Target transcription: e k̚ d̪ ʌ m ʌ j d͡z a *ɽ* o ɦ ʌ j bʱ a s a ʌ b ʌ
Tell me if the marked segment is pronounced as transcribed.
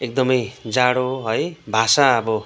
yes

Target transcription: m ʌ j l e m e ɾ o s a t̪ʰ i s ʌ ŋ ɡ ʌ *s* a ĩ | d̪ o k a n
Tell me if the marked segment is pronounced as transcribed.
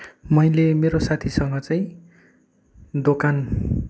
no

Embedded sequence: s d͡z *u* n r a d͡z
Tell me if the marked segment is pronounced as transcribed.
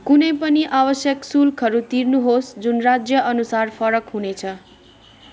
yes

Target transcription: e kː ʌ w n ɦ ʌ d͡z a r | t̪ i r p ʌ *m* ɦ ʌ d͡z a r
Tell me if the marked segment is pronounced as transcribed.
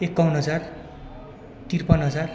no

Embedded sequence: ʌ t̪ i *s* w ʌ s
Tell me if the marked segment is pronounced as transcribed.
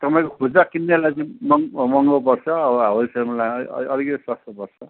yes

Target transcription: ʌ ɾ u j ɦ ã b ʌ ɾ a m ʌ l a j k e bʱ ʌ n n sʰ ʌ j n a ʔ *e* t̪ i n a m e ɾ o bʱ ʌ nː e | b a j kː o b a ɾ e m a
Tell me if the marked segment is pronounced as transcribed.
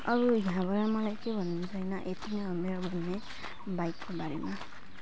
yes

